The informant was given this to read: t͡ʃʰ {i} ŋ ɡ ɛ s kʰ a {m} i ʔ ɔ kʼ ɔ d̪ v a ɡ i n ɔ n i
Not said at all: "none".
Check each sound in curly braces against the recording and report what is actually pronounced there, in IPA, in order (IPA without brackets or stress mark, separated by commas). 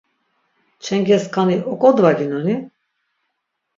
ɛ, n